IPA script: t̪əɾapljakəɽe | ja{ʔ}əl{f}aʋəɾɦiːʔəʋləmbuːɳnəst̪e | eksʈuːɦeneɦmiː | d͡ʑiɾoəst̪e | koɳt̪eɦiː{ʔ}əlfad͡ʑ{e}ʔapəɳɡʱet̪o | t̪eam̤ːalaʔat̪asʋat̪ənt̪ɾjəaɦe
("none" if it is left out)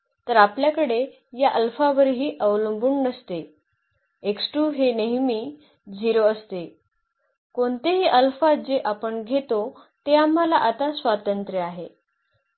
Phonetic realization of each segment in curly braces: ʔ, f, ʔ, e

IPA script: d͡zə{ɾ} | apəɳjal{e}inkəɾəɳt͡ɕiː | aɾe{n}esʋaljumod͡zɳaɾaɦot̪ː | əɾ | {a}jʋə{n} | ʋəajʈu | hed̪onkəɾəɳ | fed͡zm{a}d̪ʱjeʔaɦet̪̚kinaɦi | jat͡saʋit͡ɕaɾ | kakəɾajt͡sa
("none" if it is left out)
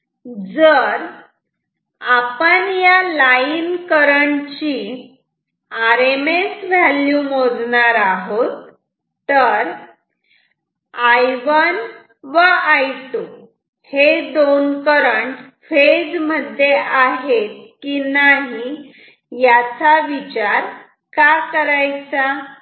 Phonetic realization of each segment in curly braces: ɾ, a, m, a, n, ə

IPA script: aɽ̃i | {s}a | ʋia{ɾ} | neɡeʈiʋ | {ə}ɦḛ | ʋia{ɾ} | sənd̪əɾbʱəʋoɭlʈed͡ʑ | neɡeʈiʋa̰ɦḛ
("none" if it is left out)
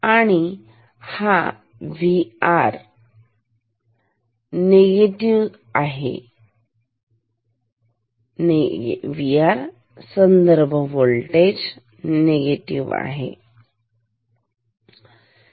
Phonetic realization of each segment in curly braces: h, ɾ, a, ɾ

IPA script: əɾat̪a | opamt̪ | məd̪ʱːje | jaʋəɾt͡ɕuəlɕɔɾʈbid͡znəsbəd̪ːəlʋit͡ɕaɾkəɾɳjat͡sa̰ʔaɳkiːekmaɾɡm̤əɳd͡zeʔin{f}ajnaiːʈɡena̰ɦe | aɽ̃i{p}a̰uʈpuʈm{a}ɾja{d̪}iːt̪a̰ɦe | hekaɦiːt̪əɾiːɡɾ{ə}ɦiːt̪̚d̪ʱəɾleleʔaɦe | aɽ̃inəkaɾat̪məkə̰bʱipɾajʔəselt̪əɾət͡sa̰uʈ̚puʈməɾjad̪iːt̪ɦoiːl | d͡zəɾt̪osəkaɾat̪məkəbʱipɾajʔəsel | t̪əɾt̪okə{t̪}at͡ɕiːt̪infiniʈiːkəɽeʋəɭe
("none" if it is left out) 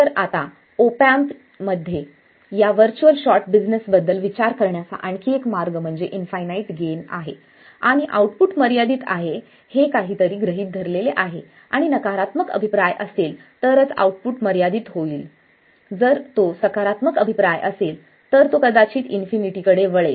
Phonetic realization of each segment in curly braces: f, ʔ, ə, d̪, ə, d̪

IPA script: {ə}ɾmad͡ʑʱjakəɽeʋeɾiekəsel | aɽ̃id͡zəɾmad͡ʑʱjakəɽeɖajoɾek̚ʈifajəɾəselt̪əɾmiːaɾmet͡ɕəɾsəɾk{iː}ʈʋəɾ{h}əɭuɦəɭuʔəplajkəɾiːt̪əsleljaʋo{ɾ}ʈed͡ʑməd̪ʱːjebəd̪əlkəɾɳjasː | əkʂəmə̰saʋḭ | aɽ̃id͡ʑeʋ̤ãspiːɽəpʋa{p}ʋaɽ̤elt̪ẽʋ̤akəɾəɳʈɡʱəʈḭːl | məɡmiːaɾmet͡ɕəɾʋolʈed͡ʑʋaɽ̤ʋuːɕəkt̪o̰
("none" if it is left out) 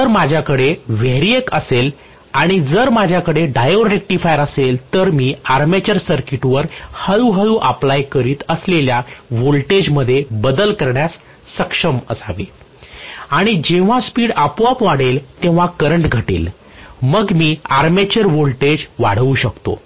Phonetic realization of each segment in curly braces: ə, i, h, l, p

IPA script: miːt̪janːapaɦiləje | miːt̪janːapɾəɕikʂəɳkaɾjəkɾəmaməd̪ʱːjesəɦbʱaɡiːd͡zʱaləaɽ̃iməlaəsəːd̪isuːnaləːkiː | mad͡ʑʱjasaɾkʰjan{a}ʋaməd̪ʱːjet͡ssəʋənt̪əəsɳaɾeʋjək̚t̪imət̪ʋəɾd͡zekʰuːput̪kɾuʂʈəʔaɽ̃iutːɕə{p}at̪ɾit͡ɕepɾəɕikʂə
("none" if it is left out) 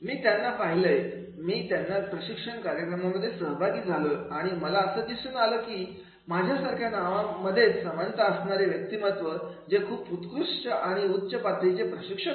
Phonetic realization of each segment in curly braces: a, p

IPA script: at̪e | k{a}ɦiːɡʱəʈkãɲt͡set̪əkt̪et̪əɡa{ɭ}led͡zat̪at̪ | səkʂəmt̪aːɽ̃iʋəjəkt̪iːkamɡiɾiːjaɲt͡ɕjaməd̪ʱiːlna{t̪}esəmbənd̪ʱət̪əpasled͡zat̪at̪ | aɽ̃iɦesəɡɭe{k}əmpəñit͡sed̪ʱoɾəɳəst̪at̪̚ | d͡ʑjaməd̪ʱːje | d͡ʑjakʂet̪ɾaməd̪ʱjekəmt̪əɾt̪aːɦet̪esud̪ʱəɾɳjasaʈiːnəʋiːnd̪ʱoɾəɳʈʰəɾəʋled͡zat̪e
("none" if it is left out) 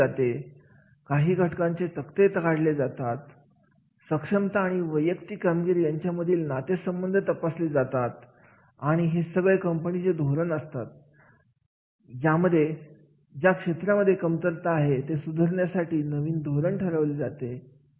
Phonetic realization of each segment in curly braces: a, ɽ, t̪, k

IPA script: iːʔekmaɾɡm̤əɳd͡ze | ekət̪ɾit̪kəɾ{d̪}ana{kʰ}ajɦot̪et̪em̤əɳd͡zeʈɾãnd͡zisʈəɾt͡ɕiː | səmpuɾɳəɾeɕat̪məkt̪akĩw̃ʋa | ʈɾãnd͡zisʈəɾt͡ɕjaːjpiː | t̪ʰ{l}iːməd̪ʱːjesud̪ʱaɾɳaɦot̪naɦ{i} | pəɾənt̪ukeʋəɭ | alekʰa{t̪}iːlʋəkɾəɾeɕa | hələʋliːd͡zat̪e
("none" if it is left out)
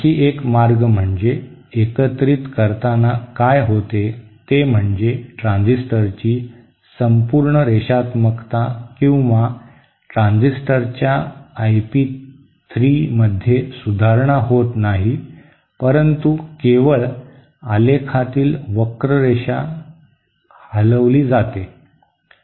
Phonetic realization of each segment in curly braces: t̪, k, ɾ, i, t̪

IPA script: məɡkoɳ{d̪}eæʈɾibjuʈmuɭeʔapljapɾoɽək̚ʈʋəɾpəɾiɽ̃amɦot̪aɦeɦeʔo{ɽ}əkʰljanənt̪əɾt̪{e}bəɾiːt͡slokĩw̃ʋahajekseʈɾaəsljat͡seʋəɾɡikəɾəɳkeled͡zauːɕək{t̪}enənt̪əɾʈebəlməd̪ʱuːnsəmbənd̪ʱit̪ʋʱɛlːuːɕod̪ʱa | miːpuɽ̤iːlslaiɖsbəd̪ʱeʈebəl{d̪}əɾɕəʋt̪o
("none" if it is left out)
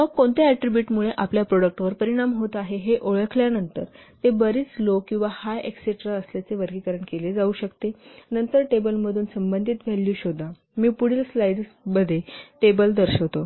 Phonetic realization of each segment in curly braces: t̪, ɭ, e, t̪, d̪

